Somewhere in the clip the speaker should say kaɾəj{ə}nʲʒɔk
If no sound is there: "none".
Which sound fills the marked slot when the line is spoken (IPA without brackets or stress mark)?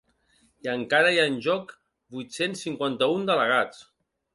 a